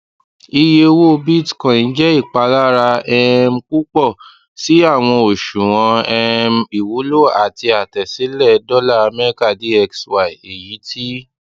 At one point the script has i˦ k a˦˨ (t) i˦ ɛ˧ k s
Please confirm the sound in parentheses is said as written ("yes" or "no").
no